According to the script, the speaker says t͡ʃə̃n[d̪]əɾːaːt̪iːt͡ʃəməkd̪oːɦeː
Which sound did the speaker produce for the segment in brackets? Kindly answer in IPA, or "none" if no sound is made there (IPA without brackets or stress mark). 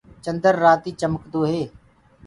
d̪